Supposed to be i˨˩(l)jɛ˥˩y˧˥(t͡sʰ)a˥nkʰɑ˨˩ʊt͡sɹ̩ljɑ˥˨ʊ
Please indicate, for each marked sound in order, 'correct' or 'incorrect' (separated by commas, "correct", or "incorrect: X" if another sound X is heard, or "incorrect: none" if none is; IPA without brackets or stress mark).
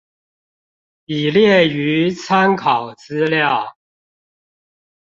correct, correct